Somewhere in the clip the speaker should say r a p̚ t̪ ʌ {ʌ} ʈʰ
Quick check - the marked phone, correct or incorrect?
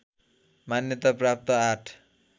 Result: incorrect